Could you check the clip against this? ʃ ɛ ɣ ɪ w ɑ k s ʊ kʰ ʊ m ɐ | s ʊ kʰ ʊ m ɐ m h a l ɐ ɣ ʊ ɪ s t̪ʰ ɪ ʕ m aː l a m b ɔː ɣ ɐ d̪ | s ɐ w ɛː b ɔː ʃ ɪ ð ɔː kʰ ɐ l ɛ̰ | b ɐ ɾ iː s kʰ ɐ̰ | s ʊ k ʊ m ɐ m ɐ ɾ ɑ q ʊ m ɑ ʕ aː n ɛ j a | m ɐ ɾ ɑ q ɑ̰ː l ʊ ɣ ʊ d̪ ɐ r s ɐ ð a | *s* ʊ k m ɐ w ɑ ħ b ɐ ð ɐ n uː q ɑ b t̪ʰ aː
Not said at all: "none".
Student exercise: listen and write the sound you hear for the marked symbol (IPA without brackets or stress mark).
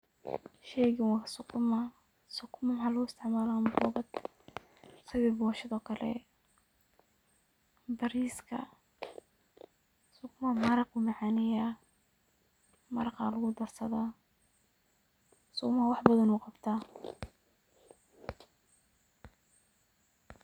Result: s